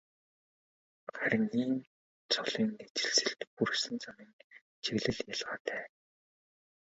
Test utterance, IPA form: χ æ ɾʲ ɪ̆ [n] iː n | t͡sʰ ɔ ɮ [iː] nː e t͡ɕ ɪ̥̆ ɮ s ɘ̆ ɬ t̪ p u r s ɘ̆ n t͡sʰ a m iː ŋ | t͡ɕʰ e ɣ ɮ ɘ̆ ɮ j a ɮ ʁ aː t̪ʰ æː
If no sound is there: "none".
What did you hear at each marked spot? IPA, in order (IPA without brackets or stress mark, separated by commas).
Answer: ŋ, iː